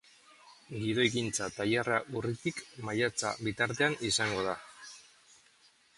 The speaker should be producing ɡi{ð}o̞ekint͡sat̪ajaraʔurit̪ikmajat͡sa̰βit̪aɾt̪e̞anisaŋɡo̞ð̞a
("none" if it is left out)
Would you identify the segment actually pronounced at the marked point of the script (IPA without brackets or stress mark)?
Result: ð